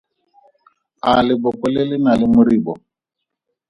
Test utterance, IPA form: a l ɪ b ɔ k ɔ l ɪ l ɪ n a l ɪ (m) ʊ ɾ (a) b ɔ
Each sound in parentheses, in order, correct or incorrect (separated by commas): correct, incorrect